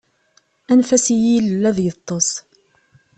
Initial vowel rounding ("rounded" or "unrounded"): unrounded